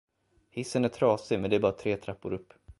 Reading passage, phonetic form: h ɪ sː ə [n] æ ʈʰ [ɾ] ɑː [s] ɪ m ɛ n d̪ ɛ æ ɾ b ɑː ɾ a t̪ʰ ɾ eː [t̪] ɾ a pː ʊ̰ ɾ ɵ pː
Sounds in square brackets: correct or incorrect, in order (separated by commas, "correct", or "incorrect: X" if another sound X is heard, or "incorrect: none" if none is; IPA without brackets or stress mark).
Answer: correct, correct, correct, incorrect: t̪ʰ